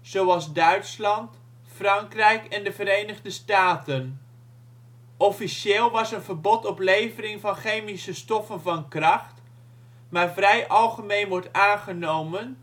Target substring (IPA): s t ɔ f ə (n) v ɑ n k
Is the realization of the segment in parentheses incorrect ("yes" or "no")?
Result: no